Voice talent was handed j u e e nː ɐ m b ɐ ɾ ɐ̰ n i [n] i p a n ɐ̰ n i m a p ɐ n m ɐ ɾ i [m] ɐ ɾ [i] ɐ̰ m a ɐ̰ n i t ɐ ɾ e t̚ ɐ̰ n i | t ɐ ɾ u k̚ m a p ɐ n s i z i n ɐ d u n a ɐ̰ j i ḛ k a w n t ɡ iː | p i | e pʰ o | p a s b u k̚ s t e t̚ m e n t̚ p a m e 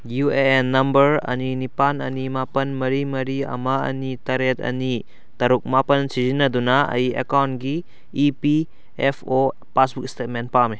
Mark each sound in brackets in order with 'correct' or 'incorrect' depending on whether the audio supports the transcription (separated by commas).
correct, correct, correct